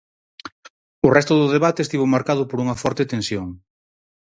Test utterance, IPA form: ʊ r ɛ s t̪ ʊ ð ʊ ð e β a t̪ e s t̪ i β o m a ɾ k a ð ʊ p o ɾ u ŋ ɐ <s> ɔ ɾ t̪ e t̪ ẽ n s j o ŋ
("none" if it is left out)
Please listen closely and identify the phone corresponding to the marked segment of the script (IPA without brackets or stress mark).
f